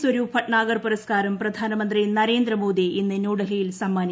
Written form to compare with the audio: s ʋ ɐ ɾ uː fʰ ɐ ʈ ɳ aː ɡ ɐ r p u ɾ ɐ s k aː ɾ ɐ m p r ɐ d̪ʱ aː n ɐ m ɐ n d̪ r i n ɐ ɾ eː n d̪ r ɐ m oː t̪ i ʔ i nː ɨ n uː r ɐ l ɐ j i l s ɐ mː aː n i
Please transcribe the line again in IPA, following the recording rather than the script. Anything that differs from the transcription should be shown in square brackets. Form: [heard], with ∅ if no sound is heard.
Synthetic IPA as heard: s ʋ ɐ ɾ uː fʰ ɐ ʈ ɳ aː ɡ ɐ r p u ɾ ɐ s k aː ɾ ɐ m p r ɐ d̪ʱ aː n ɐ m ɐ n d̪ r i n ɐ ɾ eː n d̪ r ɐ m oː [d̪] i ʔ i nː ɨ n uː [ɽ] ɐ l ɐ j i l s ɐ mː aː n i